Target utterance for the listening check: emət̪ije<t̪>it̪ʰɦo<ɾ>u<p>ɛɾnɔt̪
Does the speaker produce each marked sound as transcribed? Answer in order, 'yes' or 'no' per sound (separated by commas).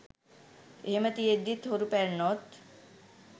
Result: no, yes, yes